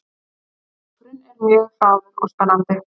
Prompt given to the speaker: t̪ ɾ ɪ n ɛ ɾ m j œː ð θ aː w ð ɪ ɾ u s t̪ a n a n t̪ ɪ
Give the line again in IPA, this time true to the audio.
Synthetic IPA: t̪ ɾ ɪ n ɛ ɾ m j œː ɣ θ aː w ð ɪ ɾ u s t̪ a n a n t̪ ɪ